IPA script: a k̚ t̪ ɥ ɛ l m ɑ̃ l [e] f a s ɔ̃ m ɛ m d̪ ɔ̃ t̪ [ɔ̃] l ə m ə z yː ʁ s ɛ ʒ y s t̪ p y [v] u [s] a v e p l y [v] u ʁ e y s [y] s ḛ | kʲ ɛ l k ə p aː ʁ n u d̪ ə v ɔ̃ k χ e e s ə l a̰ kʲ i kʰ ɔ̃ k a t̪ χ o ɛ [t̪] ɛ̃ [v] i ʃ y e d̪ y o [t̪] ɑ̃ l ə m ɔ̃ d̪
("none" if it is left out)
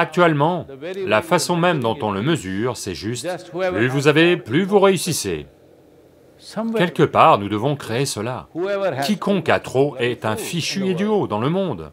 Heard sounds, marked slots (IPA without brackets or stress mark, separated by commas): a, ɔ̃, v, z, v, i, t̪, f, d̪